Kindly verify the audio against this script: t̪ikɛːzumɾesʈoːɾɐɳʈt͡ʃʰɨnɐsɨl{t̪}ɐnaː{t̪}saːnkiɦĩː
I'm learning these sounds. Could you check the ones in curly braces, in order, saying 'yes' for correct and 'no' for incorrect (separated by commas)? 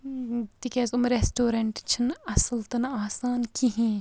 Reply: yes, no